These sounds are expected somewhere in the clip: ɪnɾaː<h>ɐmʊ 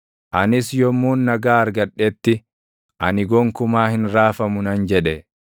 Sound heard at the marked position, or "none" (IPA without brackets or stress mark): f